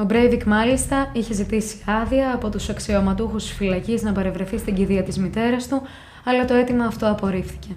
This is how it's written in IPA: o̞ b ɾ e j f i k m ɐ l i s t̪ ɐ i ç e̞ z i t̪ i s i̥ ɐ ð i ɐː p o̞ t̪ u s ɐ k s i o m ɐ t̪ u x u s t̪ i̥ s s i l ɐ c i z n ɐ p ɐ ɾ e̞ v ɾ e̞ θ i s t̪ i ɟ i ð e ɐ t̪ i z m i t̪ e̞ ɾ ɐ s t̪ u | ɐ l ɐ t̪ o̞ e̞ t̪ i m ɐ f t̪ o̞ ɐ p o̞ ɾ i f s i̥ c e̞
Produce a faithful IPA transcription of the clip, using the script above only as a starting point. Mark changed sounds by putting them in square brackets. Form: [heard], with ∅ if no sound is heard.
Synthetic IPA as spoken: o̞ b ɾ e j [v] i k m ɐ l i s t̪ ɐ i ç e̞ z i t̪ i s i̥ ɐ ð i ɐː p o̞ t̪ u s ɐ k s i o m ɐ t̪ u x u s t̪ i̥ s [f] i l ɐ c i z n ɐ p ɐ ɾ e̞ v ɾ e̞ θ i s t̪ i ɟ i ð [i] ɐ t̪ i z m i t̪ e̞ ɾ ɐ s t̪ u | ɐ l ɐ t̪ o̞ e̞ t̪ i m [ɐː] f t̪ o̞ ɐ p o̞ ɾ i f [θ] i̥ c e̞